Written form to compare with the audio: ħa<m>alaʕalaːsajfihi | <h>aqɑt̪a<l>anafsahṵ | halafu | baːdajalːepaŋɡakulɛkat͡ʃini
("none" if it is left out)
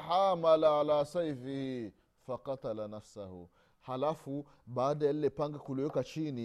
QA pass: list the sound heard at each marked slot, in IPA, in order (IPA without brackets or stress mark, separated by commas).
m, f, l